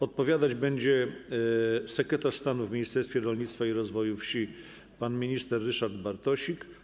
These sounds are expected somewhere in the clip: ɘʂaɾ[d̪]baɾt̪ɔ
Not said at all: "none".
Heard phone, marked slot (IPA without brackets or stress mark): d̪